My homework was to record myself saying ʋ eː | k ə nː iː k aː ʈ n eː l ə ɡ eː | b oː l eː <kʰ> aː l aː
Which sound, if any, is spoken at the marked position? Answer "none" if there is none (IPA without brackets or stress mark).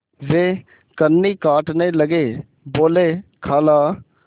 kʰ